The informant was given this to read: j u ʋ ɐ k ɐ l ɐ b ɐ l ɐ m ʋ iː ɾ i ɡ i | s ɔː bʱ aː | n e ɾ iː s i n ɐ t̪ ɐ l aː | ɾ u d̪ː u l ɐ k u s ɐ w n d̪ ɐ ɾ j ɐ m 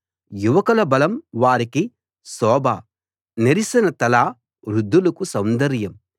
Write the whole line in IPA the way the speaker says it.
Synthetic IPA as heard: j u ʋ ɐ k ɐ l ɐ b ɐ l ɐ m ʋ aː ɾ i k i | s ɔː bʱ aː | n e ɾ i s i n ɐ t̪ ɐ l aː | ɾ u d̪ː u l ɐ k u s ɐ w n d̪ ɐ ɾ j ɐ m